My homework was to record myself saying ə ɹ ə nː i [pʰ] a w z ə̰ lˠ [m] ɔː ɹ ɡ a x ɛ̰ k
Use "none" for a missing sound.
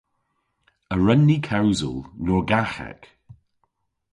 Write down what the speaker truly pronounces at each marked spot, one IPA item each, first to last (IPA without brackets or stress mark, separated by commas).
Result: kʰ, n